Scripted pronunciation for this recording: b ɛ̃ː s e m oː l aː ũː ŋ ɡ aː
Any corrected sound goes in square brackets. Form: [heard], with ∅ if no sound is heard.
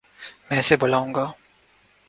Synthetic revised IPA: [m] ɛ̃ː s e [b] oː l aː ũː ŋ ɡ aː